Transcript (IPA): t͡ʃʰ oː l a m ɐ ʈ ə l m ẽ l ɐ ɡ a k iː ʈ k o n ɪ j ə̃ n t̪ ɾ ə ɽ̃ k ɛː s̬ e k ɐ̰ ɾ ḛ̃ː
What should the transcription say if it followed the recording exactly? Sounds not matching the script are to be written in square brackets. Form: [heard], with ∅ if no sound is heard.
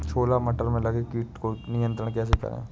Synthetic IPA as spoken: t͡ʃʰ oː l a m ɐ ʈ ə [ɾ] m ẽ l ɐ ɡ [e] k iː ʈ k o n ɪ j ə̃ n t̪ ɾ ə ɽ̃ k ɛː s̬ e k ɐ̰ ɾ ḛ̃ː